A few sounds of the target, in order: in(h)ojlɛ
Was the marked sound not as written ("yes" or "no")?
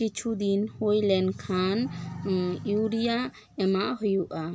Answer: no